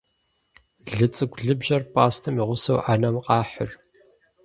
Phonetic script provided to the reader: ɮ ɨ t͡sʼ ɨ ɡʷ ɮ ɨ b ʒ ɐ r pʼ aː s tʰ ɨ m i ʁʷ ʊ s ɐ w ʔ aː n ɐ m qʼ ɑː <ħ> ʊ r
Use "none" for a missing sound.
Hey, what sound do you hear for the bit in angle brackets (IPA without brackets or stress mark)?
ħ